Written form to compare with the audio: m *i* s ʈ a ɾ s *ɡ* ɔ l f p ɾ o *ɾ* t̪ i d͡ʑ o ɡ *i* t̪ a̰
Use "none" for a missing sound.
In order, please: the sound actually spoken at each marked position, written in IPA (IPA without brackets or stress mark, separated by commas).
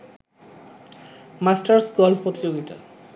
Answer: a, ɡ, none, i